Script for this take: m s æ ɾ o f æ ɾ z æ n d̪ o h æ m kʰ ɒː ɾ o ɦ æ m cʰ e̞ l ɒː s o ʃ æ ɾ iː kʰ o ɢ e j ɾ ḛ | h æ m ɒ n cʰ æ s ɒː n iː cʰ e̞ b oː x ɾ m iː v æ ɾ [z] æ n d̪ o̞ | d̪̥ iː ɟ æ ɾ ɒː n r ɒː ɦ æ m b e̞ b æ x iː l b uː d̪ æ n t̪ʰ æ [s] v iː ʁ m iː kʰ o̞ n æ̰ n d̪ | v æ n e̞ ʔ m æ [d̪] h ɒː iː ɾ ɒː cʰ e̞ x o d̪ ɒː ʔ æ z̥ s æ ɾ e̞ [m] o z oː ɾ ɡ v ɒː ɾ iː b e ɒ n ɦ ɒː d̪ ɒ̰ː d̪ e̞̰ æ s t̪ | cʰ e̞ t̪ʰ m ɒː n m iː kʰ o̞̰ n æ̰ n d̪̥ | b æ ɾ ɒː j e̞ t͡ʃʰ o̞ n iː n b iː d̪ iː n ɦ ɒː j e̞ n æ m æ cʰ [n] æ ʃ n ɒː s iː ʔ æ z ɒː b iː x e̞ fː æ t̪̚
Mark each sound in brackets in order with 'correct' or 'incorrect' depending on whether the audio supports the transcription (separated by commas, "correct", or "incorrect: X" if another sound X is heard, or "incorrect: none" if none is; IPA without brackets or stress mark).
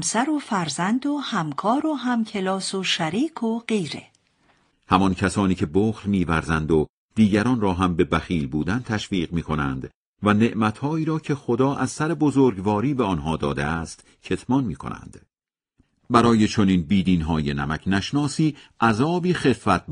correct, incorrect: ʃ, incorrect: t̪, incorrect: b, correct